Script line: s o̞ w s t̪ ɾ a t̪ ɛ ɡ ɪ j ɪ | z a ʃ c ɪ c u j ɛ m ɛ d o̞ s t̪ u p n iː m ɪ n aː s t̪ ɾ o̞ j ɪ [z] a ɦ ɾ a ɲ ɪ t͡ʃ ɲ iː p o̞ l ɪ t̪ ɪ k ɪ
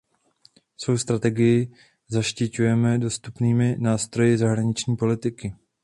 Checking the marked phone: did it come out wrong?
no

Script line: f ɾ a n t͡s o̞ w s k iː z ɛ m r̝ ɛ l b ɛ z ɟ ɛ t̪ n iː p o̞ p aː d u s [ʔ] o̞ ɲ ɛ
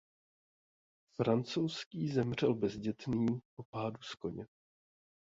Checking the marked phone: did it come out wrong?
yes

